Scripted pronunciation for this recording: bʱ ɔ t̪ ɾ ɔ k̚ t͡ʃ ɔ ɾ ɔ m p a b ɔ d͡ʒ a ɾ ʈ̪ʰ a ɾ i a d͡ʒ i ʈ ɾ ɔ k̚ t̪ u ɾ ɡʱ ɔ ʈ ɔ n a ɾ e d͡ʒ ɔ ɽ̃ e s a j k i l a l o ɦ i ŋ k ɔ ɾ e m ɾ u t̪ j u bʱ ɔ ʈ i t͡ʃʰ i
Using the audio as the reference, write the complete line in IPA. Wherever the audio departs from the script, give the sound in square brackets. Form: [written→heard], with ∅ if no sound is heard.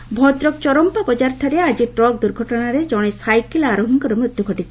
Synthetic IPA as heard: bʱ ɔ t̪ ɾ ɔ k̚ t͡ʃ ɔ ɾ ɔ m p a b ɔ d͡ʒ a ɾ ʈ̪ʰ a ɾ [i→e] a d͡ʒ i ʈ ɾ ɔ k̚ [t̪→d̪] u ɾ ɡʱ ɔ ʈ ɔ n a ɾ e d͡ʒ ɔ ɽ̃ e s a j k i l a [l→ɾ] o ɦ i ŋ k ɔ ɾ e m ɾ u t̪ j u [bʱ→ɡʱ] ɔ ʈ i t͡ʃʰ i